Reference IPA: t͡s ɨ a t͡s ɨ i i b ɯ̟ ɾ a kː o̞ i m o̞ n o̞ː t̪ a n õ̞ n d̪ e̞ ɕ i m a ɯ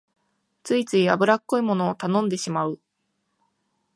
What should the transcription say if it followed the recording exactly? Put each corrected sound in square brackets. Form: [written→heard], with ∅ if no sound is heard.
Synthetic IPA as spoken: t͡s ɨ [a→i] t͡s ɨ i [i→a] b ɯ̟ ɾ a kː o̞ i m o̞ n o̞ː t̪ a n õ̞ n d̪ e̞ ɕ i m a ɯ